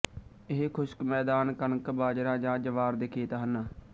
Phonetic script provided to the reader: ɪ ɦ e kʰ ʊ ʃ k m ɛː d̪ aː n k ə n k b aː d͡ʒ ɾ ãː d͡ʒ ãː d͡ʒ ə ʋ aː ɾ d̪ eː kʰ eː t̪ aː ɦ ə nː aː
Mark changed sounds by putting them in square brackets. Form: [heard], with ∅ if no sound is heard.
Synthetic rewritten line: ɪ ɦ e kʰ ʊ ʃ k m ɛː d̪ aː n k ə n k b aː d͡ʒ ɾ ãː d͡ʒ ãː d͡ʒ ə ʋ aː ɾ d̪ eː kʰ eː t̪ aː ɦ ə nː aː